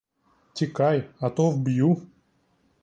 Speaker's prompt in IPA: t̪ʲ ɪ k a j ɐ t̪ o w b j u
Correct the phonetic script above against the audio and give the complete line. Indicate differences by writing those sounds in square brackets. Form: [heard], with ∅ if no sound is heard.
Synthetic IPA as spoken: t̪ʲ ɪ k a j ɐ t̪ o [v] b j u